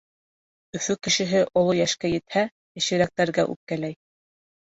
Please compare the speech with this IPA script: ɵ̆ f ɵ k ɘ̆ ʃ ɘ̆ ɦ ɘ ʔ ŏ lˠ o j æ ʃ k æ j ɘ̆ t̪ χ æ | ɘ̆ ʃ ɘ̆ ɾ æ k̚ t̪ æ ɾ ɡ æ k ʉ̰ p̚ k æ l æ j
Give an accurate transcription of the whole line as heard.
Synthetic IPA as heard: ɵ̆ f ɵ k ɘ̆ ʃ ɘ̆ ɦ ɘ ʔ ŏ lˠ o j æ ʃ k æ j ɘ̆ t̪ h æ | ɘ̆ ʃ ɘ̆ ɾ æ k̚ t̪ æ ɾ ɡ æ ʔ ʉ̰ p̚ k æ l æ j